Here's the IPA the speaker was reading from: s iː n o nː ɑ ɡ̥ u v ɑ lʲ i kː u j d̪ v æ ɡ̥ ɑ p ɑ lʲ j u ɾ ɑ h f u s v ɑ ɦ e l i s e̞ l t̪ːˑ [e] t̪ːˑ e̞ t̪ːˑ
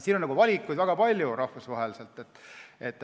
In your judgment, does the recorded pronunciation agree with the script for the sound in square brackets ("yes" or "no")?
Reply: yes